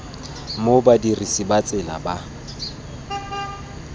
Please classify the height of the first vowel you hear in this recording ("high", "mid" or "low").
mid